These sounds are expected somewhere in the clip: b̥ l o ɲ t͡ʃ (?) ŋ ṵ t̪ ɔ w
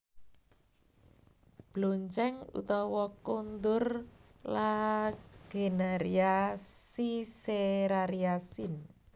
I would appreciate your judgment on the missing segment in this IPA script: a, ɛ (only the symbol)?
ɛ